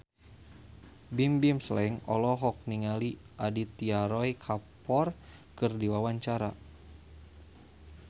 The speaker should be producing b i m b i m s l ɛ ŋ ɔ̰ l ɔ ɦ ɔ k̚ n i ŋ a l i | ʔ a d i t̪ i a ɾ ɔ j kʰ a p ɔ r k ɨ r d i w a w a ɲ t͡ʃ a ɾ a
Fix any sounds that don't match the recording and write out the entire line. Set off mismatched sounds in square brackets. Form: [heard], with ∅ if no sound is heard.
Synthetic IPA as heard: b i m b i m s l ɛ ŋ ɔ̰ l ɔ ɦ ɔ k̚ n i ŋ a l i | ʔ a d i t̪ i a ɾ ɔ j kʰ a p ɔ r k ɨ r d i w a w a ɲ t͡ʃ a ɾ a